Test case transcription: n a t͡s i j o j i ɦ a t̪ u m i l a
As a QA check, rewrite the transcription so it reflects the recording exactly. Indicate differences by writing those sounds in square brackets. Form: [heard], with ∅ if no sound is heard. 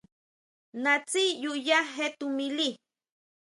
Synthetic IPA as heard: n a t͡s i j [u] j [a] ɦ [e] t̪ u m i l [i]

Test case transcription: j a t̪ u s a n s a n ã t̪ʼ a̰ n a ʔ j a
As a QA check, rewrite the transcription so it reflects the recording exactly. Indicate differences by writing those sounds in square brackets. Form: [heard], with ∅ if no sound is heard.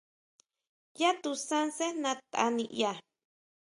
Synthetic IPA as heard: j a t̪ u s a n s [e] n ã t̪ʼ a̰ n [i] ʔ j a

